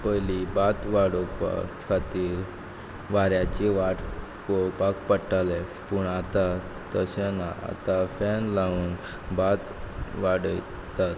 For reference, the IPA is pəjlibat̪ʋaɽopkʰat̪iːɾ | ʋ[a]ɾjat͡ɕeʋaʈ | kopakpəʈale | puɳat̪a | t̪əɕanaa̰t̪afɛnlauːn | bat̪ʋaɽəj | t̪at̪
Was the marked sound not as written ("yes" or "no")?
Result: no